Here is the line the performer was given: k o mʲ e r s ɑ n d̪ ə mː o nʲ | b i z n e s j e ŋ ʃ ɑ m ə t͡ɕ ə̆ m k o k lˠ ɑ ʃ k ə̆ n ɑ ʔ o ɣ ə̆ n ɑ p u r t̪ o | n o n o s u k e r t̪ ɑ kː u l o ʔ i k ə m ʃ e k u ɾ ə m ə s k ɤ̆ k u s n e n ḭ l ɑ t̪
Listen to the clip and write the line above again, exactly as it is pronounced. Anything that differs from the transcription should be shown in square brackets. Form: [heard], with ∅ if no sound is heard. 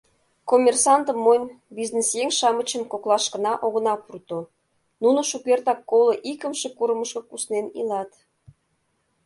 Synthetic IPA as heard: k o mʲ e r s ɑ n [t̪] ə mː o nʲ | b i z n e s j e ŋ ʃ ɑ m ə t͡ɕ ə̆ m k o k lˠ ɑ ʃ k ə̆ n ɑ ʔ o ɣ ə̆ n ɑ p u r t̪ o | n [u] n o [ʃ] u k e r t̪ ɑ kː [o] l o ʔ i k ə m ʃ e k u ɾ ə m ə [ʃ] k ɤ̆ k u s n e n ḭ l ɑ t̪

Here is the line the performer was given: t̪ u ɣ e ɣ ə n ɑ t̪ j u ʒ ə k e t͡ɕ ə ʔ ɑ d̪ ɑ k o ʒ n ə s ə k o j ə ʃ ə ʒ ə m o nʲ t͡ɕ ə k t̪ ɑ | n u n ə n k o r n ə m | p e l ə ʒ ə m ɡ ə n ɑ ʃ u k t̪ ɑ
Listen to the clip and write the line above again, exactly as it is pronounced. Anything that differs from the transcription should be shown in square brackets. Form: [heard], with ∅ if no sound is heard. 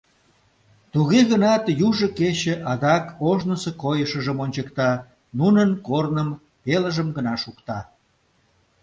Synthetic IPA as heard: t̪ u ɣ e ɣ ə n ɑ t̪ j u ʒ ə k e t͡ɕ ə ʔ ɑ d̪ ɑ k o ʒ n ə s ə k o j ə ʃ ə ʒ ə m o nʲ t͡ɕ ə k t̪ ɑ | n u n ə n k o r n ə m | p e l ə ʒ ə m ɡ ə n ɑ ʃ u k t̪ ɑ

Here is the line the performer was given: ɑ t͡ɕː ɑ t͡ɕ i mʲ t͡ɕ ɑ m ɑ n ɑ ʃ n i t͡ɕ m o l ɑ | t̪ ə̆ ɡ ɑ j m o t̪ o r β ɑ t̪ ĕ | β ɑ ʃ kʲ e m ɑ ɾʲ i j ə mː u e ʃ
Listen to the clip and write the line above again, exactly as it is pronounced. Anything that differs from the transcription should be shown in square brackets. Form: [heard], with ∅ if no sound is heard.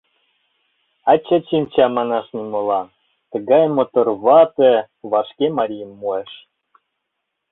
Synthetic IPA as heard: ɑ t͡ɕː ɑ t͡ɕ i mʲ t͡ɕ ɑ m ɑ n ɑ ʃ n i [∅] m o l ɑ | t̪ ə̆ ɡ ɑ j m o t̪ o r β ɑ t̪ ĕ | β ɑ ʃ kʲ e m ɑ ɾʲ i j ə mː u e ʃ

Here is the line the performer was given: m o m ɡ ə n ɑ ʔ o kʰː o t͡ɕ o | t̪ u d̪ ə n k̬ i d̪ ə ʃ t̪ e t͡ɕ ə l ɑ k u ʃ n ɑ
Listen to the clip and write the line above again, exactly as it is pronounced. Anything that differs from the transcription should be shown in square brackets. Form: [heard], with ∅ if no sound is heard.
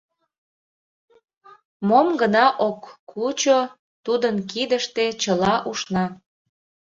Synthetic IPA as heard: m o m ɡ ə n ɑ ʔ o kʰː [u] t͡ɕ o | t̪ u d̪ ə n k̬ i d̪ ə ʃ t̪ e t͡ɕ ə l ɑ [ʔ] u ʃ n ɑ

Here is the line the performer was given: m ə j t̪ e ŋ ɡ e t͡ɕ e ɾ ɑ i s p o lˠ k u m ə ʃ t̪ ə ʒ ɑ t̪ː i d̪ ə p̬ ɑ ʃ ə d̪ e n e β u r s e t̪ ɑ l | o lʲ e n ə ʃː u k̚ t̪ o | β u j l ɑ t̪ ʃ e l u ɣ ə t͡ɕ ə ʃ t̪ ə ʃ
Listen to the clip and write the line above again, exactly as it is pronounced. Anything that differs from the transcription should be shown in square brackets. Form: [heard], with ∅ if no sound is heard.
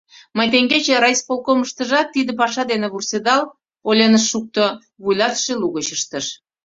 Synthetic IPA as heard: m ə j t̪ e ŋ ɡ e t͡ɕ e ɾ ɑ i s p o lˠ k [o] m ə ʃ t̪ ə ʒ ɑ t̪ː i d̪ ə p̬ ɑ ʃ [ɑ] d̪ e n e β u r s e [d̪] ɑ l | o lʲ e n ə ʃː u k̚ t̪ o | β u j l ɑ t̪ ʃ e l u ɣ ə t͡ɕ ə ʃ t̪ ə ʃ

